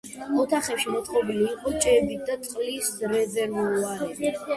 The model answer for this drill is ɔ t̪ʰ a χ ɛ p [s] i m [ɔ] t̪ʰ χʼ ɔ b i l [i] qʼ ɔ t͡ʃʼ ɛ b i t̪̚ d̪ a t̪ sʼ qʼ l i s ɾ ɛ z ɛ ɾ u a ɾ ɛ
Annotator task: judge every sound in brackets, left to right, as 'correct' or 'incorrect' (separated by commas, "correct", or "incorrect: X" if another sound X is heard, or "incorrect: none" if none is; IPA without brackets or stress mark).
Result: incorrect: ʃ, correct, incorrect: iː